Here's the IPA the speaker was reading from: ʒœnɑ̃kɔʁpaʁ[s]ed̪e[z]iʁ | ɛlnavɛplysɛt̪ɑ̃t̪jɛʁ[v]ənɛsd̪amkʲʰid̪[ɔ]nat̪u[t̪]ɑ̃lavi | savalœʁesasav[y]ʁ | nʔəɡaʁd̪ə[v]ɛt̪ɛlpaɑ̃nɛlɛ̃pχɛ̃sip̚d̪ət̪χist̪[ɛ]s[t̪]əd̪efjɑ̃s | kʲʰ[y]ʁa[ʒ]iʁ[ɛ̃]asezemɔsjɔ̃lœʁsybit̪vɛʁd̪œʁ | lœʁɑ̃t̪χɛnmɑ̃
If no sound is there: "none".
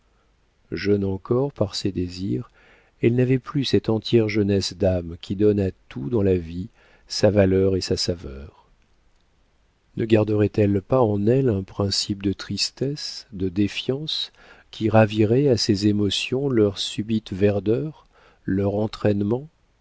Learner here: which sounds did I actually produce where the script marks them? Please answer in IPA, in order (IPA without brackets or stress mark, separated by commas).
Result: s, z, ʒ, ɔ, d̪, œ, ʁ, ɛ, d̪, i, v, ɛ